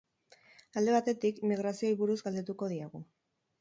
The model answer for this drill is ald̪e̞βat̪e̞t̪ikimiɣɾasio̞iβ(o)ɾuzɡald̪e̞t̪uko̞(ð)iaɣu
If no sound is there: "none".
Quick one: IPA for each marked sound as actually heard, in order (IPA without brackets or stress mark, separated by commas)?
u, ð